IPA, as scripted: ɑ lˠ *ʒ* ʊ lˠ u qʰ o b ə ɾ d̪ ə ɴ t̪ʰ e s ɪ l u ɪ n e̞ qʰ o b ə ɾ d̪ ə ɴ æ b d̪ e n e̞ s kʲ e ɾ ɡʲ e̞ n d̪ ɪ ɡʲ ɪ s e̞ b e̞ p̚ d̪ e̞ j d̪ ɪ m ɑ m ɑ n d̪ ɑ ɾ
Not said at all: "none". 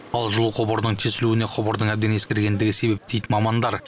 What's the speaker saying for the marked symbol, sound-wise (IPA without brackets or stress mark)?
ʒ